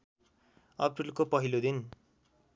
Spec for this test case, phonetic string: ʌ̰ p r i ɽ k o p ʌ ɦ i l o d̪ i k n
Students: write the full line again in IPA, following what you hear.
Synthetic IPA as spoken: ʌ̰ p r i l k o p ʌ ɦ i l o d̪ i n